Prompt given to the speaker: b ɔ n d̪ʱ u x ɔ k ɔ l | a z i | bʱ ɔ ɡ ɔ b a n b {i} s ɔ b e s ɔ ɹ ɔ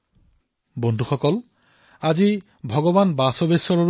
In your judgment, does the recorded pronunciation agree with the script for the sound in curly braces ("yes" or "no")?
no